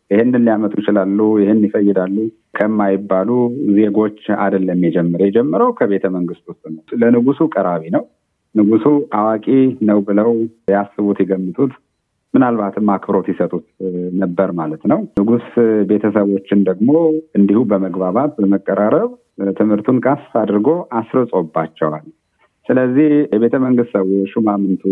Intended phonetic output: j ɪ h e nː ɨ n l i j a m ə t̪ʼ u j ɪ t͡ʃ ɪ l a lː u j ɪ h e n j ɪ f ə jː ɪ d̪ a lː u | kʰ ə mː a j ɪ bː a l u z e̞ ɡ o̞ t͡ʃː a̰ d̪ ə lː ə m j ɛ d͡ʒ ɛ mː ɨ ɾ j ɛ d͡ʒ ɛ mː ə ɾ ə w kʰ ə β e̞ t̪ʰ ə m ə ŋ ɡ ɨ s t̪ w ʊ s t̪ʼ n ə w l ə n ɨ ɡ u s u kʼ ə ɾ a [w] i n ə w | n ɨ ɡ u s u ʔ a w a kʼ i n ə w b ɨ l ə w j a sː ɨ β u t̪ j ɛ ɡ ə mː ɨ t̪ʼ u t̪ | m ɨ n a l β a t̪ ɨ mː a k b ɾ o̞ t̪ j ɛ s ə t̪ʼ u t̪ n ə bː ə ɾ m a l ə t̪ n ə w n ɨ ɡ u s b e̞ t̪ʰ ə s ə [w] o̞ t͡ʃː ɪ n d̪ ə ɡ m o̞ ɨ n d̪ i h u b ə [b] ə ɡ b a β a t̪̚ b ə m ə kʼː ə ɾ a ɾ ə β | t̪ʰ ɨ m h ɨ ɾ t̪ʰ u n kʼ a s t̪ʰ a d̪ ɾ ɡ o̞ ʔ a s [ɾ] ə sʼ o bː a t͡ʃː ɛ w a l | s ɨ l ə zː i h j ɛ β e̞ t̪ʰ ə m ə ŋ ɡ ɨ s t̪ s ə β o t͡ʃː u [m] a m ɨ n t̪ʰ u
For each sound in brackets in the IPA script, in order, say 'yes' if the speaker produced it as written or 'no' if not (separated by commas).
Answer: no, no, no, yes, yes